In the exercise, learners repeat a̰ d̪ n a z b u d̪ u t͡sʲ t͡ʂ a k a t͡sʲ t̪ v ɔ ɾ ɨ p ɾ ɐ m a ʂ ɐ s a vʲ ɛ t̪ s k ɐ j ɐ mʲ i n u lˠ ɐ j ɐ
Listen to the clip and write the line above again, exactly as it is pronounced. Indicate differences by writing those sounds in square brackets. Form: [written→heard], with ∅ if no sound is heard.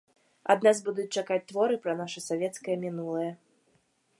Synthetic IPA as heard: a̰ d̪ n a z b u d̪ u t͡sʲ t͡ʂ a k a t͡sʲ t̪ v ɔ ɾ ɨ p ɾ ɐ [m→n] a ʂ ɐ s a vʲ ɛ t̪ s k ɐ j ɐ mʲ i n u lˠ ɐ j ɐ